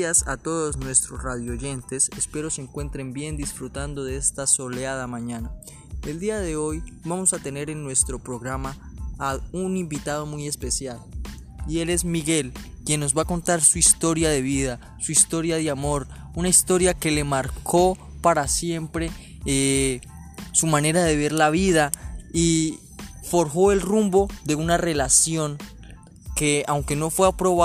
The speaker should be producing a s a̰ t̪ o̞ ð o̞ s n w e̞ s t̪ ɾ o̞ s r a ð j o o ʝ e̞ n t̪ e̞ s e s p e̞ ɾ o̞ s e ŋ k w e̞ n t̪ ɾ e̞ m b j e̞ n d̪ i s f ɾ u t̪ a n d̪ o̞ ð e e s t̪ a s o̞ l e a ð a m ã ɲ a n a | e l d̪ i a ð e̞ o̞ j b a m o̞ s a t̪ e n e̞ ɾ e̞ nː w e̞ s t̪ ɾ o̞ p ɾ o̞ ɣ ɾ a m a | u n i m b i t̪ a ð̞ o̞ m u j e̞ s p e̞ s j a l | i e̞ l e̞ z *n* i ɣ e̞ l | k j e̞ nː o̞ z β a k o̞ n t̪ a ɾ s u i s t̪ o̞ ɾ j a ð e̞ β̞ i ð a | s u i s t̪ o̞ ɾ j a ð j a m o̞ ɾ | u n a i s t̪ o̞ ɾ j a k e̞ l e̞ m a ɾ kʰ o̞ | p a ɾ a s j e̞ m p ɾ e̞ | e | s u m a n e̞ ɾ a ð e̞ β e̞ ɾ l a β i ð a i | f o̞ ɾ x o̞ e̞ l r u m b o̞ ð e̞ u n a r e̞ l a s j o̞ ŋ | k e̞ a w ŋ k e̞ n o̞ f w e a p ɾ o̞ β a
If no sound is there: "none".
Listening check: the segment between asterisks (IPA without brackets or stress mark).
m